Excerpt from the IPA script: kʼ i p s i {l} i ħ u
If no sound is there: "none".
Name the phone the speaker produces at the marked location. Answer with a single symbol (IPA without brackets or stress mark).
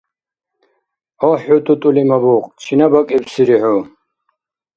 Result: ɾ